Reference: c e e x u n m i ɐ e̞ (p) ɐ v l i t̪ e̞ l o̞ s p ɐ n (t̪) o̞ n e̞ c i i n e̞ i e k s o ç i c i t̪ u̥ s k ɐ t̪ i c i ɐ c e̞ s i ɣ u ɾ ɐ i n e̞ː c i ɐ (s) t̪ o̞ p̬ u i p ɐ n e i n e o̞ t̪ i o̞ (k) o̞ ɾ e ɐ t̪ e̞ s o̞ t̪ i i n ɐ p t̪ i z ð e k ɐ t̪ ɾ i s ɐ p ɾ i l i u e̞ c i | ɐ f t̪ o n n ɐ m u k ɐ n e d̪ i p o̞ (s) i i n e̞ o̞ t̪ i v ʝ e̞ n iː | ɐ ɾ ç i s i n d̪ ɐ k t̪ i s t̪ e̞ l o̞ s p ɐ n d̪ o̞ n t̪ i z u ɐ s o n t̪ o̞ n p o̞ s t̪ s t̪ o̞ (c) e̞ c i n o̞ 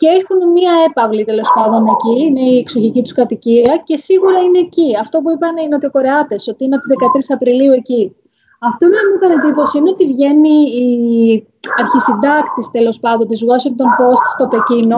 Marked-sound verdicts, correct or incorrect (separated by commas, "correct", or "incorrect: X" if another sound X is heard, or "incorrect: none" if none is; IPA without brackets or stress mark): correct, incorrect: d̪, incorrect: f, correct, correct, incorrect: p